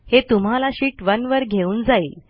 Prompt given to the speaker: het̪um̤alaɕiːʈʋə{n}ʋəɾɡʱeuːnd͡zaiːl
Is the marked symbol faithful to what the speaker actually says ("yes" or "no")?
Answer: yes